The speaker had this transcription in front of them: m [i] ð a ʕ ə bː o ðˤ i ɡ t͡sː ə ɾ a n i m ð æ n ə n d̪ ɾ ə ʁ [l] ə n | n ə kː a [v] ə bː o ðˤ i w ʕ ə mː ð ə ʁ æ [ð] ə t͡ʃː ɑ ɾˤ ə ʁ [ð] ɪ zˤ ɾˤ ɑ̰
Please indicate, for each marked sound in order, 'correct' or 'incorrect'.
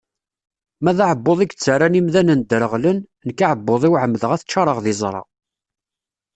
incorrect, correct, incorrect, incorrect, correct

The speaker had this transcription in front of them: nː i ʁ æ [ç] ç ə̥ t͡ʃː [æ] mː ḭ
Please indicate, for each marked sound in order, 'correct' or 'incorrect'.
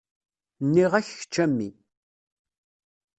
correct, correct

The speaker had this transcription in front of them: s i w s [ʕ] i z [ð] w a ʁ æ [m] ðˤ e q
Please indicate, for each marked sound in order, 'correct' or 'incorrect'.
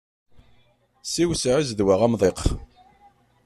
correct, correct, correct

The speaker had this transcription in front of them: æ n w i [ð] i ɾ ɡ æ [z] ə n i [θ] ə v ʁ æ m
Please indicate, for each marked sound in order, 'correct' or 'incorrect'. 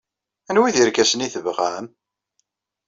correct, incorrect, correct

